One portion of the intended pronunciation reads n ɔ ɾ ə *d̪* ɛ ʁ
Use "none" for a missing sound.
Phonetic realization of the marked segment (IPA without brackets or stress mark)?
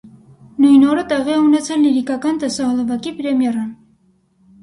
t̪